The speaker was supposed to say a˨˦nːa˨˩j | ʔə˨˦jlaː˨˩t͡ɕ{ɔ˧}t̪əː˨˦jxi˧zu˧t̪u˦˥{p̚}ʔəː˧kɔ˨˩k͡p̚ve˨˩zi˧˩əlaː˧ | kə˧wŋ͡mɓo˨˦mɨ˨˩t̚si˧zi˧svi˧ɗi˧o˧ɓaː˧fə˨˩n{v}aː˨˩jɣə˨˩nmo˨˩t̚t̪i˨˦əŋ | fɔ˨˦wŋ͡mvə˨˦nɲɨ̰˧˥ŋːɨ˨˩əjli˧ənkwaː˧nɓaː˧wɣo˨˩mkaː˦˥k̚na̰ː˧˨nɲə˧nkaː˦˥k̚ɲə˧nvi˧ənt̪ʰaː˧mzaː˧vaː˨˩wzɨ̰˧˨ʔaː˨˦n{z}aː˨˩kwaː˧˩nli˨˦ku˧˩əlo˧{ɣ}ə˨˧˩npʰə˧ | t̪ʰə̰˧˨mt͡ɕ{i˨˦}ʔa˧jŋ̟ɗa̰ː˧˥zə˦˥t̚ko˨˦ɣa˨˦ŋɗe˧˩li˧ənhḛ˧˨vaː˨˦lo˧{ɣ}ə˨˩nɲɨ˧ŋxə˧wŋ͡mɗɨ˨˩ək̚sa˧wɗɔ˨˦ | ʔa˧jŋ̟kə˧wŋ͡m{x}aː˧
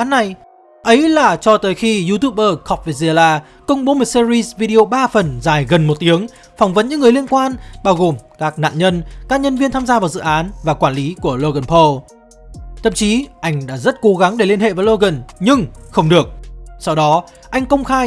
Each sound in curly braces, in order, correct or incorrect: correct, correct, incorrect: z, incorrect: v, correct, correct, correct, correct

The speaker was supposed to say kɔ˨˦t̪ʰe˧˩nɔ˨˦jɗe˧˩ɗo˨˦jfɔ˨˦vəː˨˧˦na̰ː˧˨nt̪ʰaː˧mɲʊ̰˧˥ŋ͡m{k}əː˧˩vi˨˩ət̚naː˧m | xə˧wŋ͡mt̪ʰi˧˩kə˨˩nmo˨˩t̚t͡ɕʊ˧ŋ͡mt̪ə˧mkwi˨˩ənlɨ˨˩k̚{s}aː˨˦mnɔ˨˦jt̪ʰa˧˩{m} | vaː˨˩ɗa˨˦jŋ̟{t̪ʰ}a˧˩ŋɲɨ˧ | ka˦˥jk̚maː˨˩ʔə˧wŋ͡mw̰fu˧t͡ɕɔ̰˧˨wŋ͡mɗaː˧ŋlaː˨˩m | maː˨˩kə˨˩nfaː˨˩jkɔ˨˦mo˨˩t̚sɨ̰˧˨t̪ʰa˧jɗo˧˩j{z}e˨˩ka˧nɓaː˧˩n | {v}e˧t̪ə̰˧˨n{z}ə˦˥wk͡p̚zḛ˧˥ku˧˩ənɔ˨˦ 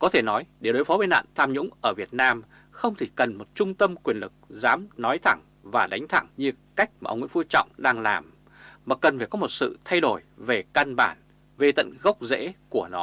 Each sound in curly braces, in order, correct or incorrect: incorrect: ʔ, incorrect: z, incorrect: ŋ, correct, incorrect: v, correct, incorrect: ɣ

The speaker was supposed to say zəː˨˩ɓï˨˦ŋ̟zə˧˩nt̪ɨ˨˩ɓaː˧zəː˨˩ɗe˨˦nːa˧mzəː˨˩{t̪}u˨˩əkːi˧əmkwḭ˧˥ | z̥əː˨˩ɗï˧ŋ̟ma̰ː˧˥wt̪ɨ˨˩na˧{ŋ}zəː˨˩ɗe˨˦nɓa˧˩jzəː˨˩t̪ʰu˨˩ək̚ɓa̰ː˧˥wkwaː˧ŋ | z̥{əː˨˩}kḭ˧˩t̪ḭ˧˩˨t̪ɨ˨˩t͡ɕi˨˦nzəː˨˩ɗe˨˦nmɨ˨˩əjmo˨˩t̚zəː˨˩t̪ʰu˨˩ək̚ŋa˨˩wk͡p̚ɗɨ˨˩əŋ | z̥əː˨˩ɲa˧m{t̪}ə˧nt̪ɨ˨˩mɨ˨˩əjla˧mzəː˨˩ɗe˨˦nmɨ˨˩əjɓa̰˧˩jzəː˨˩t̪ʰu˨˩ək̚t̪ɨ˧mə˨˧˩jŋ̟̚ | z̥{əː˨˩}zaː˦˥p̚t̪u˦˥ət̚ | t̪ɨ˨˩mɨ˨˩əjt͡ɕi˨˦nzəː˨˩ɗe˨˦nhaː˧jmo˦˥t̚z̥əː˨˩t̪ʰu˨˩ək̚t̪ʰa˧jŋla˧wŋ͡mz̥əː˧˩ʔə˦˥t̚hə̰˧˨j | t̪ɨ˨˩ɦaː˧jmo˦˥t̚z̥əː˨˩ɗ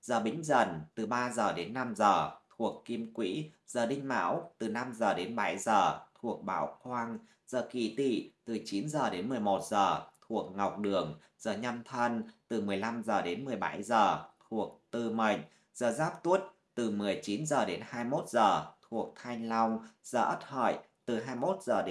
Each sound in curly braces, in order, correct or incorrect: incorrect: t̪ʰ, incorrect: m, correct, incorrect: t̪ʰ, correct

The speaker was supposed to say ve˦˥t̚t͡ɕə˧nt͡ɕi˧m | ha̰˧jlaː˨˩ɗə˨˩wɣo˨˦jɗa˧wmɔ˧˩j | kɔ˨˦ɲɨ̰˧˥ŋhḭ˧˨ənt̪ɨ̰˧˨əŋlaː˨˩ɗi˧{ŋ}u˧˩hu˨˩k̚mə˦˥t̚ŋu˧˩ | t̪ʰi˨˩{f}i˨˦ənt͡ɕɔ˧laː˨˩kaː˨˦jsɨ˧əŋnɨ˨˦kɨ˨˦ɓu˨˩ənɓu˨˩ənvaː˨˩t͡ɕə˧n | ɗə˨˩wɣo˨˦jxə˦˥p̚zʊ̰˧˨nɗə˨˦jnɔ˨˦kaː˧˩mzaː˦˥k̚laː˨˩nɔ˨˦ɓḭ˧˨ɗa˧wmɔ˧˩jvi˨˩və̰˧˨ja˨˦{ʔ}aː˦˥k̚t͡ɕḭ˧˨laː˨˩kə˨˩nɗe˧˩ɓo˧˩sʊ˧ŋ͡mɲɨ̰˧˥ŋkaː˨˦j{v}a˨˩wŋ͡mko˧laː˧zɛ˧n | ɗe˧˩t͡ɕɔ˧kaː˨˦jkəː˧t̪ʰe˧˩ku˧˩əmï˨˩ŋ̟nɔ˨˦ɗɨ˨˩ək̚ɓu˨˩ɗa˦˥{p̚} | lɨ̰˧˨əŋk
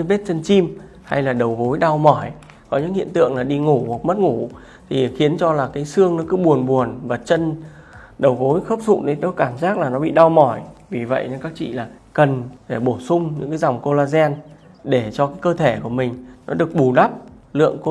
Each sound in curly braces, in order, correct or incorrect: correct, incorrect: x, incorrect: k, incorrect: z, correct

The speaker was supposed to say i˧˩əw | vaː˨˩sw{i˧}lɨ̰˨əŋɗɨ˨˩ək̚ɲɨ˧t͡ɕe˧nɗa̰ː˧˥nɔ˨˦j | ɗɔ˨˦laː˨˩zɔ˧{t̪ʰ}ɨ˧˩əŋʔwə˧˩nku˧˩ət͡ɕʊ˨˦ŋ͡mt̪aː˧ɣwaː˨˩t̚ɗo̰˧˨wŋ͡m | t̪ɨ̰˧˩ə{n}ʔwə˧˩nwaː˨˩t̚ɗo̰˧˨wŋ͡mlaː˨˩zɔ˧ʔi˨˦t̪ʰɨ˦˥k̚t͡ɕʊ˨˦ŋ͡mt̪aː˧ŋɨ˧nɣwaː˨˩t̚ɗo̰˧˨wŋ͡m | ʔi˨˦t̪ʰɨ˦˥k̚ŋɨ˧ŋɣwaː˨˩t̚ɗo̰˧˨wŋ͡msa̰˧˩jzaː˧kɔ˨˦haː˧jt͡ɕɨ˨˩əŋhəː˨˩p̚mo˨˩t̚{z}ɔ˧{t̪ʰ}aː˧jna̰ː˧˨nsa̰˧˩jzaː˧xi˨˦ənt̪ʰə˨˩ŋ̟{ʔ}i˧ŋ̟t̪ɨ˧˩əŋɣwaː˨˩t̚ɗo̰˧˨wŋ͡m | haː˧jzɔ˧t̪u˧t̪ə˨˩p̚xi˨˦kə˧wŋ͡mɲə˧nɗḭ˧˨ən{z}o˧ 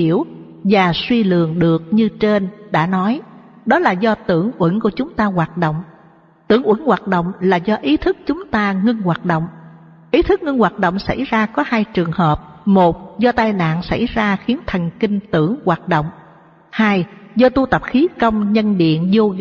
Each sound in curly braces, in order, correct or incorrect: correct, incorrect: t̪, incorrect: ŋ, correct, incorrect: t̪, incorrect: k, correct

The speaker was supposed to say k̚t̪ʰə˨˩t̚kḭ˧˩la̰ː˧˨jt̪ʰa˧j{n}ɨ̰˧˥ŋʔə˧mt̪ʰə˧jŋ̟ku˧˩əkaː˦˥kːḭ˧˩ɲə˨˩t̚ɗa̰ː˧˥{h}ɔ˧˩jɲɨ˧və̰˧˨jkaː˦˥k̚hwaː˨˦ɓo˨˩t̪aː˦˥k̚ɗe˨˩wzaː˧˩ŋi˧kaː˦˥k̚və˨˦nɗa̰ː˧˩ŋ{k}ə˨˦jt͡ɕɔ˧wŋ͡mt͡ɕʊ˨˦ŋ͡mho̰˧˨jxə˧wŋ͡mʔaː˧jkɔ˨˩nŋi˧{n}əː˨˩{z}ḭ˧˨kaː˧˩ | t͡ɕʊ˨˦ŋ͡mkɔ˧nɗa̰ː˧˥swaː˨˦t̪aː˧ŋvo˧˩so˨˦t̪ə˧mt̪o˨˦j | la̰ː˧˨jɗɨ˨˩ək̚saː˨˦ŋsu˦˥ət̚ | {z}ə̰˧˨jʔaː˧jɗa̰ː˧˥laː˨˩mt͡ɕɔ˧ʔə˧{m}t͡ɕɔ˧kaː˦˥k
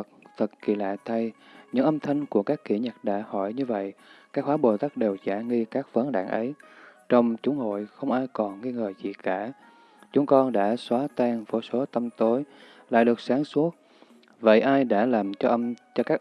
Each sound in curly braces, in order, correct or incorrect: incorrect: ɲ, correct, incorrect: ʔ, incorrect: ŋ, correct, incorrect: v, correct

